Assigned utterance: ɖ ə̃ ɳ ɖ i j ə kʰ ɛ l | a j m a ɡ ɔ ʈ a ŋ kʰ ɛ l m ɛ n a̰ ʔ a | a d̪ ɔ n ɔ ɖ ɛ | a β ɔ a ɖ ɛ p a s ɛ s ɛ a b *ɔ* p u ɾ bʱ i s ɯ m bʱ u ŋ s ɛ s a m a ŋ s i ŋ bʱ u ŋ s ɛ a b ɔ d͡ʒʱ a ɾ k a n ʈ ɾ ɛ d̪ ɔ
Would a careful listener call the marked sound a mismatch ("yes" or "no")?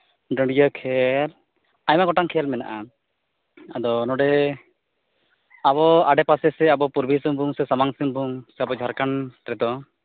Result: no